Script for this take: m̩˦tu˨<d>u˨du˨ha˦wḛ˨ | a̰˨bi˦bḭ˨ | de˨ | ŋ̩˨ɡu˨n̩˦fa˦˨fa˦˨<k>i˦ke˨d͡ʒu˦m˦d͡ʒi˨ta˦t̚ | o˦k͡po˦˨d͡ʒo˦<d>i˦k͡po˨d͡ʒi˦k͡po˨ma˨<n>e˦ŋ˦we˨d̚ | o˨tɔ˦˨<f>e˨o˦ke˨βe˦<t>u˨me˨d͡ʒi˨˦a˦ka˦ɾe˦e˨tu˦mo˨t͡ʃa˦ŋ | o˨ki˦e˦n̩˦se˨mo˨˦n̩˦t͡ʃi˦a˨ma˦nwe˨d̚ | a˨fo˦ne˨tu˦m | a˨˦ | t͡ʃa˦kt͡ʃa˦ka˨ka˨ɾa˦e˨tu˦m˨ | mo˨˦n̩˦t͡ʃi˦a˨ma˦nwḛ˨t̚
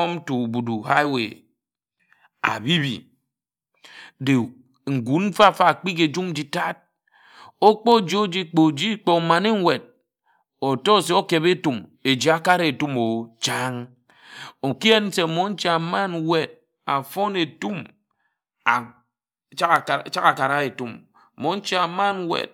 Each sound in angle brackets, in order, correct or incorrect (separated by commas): incorrect, incorrect, incorrect, correct, incorrect, correct